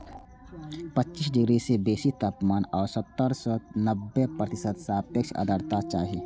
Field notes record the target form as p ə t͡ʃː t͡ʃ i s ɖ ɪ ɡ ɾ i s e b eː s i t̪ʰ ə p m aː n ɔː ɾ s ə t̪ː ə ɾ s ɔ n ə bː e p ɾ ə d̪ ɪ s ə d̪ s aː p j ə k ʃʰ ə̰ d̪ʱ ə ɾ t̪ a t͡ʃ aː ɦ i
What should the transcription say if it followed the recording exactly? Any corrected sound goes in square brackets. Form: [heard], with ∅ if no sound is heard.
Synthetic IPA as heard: p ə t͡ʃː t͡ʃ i s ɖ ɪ ɡ ɾ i s e b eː s i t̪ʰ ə p m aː n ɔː ɾ s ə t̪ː ə ɾ s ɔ n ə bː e p ɾ ə [t̪] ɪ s ə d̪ s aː p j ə k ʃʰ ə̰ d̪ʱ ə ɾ t̪ a t͡ʃ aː ɦ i